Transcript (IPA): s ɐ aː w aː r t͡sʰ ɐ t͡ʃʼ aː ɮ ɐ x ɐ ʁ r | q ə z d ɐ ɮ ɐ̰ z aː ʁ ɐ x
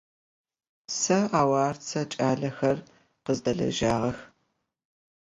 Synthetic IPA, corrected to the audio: s ɐ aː w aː r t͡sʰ ɐ t͡ʃʼ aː ɮ ɐ x ɐ r | q ə z d ɐ ɮ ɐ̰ ʒ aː ʁ ɐ x